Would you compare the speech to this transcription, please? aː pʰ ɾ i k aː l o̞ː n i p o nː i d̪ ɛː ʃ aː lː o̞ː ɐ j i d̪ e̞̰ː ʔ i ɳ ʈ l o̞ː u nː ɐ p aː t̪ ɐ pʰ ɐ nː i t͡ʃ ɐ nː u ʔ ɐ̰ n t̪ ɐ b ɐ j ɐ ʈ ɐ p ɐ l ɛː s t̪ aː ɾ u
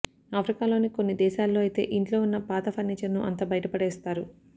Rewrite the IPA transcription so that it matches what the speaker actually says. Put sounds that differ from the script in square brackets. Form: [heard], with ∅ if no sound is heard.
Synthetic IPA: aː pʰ ɾ i k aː l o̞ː n i [k] o nː i d̪ ɛː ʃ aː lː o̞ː ɐ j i [t̪] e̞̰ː ʔ i ɳ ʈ l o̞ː u nː ɐ p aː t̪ ɐ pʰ ɐ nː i t͡ʃ ɐ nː u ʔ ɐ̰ n t̪ ɐ b ɐ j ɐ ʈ ɐ p ɐ [ɽ] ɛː s t̪ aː ɾ u